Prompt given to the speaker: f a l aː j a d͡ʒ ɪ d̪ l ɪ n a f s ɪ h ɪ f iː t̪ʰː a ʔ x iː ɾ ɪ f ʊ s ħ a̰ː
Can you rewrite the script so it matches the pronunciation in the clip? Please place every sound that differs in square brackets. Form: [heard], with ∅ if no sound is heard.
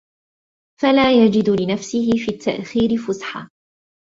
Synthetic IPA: f a l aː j a d͡ʒ ɪ d̪ l ɪ n a f s ɪ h ɪ f iː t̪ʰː a ʔ x iː ɾ ɪ f ʊ s ħ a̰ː